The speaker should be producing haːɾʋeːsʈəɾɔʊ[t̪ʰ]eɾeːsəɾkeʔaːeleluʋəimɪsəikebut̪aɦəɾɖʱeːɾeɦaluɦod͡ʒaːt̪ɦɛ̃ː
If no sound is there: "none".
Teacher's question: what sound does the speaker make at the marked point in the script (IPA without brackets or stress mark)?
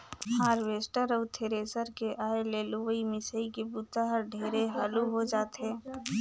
t̪ʰ